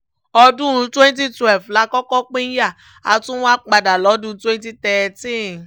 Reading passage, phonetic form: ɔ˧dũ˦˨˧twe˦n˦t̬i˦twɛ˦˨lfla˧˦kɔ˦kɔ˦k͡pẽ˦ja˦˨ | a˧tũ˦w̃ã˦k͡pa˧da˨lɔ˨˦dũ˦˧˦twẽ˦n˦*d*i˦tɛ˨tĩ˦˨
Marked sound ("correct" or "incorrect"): incorrect